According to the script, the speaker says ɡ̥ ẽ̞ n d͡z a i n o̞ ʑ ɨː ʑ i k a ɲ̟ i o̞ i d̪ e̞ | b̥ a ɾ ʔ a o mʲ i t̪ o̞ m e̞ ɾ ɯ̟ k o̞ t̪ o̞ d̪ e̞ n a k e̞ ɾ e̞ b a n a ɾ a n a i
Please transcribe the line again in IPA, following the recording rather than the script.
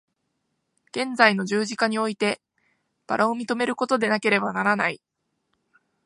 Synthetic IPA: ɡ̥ ẽ̞ n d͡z a i n o̞ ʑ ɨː ʑ i k a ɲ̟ i o̞ i t̪ e̞ | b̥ a ɾ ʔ a o mʲ i t̪ o̞ m e̞ ɾ ɯ̟ k o̞ t̪ o̞ d̪ e̞ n a k e̞ ɾ e̞ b a n a ɾ a n a i